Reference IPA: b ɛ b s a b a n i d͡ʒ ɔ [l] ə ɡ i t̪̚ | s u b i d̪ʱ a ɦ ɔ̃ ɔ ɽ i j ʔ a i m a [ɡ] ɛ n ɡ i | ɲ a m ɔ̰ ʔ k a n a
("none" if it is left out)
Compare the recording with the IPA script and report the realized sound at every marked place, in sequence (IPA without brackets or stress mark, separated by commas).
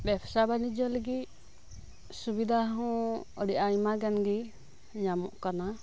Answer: l, ɡ